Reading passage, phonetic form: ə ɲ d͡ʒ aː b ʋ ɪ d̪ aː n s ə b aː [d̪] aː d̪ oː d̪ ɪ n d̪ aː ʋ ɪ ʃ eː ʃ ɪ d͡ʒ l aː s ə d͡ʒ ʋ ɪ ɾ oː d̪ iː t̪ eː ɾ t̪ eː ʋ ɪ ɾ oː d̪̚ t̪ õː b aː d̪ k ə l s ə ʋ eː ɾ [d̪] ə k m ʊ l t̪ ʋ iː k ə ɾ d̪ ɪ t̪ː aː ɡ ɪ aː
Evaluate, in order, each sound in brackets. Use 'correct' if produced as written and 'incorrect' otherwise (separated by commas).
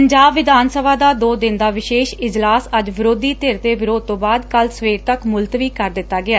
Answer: correct, incorrect